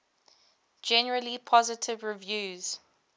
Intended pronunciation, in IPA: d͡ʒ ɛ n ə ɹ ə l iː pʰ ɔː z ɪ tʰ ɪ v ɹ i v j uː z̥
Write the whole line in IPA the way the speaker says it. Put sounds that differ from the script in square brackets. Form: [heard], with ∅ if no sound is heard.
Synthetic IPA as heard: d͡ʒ ɛ n ə ɹ ə l [i] pʰ [ɔ] z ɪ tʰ ɪ v ɹ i v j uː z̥